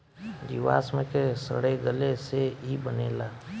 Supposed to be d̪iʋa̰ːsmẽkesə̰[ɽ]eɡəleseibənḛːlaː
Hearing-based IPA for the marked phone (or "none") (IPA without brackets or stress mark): ɽ